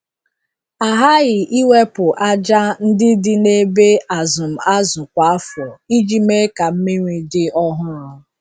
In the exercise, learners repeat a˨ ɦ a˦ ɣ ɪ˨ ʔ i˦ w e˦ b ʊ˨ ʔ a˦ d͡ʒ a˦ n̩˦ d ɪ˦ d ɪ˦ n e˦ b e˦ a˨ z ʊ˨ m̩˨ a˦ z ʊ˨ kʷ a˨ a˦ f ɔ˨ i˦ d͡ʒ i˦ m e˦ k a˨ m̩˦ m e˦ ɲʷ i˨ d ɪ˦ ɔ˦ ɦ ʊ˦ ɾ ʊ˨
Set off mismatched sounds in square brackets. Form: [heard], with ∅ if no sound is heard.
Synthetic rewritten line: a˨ ɦ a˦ ɣ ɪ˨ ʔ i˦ w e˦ [p] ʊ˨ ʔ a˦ d͡ʒ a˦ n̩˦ d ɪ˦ d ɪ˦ n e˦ b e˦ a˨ z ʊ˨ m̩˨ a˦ z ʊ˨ kʷ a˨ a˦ f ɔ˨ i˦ d͡ʒ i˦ m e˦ k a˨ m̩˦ m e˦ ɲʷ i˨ d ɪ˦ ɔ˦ ɦ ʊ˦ ɾ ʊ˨